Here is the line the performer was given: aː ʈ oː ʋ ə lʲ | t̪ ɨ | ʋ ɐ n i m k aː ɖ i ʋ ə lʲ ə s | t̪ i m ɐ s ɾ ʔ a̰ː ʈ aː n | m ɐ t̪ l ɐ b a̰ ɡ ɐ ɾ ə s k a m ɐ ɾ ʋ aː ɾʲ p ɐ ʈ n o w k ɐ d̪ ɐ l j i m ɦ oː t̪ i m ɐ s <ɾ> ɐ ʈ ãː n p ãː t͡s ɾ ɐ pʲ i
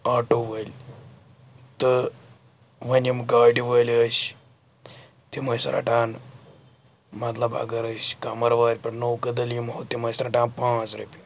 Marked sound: correct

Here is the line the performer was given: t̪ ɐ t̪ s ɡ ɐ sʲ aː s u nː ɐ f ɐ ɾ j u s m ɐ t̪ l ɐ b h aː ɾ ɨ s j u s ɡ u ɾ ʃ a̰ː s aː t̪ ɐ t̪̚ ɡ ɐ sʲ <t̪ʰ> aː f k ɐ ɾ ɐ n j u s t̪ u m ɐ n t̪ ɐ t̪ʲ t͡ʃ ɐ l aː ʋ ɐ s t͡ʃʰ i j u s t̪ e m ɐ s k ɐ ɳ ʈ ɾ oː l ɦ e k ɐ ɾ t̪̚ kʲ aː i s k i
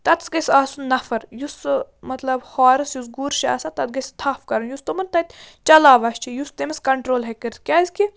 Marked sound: correct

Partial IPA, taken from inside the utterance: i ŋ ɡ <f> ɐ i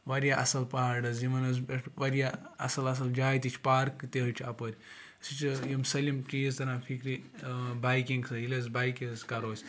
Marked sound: incorrect: s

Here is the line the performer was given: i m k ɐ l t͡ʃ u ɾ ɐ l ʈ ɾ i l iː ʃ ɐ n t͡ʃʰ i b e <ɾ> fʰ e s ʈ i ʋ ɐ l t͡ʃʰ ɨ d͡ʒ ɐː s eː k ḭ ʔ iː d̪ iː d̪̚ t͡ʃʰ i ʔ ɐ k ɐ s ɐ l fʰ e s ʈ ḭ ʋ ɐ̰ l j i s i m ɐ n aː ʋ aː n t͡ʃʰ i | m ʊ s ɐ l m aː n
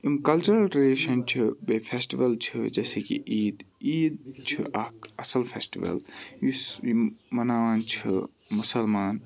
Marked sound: incorrect: none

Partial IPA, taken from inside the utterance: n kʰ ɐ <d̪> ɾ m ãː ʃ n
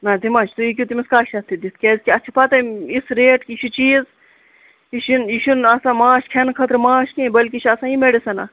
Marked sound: incorrect: t̪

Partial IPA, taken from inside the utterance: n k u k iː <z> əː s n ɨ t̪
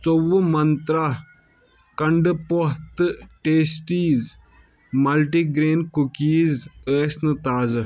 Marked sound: correct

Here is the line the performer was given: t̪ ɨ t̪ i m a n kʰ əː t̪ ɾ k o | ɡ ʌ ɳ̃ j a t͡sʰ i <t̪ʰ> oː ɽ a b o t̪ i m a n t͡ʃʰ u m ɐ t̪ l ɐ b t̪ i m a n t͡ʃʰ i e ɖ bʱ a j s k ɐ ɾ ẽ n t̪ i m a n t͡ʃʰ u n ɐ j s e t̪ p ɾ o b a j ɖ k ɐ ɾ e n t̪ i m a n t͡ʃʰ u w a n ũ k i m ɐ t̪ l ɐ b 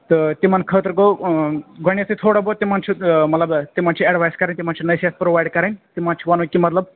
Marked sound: correct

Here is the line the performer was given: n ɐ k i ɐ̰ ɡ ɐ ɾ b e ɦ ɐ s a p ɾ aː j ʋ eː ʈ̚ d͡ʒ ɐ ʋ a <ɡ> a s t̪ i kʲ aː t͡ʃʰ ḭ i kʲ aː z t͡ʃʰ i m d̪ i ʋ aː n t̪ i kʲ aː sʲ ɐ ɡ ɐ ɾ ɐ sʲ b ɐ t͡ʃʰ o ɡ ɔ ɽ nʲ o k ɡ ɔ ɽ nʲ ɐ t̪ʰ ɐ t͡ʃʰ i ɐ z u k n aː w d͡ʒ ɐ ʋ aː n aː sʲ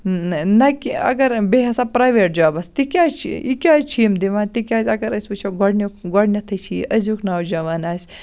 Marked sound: incorrect: b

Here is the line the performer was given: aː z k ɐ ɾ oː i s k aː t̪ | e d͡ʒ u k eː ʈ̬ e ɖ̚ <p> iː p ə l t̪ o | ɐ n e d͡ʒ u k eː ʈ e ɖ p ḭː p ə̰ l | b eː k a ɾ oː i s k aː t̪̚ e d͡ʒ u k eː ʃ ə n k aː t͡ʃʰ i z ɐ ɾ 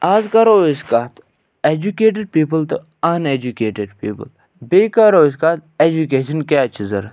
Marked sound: correct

